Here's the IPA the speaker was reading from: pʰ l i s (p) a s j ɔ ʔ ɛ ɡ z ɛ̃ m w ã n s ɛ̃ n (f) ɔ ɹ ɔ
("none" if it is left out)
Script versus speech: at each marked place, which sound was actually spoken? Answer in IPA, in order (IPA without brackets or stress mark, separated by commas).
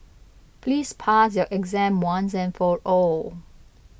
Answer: pʰ, f